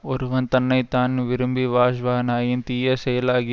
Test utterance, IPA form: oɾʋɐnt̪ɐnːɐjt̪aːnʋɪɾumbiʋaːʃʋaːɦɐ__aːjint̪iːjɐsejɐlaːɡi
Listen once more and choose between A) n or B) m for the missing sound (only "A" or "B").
A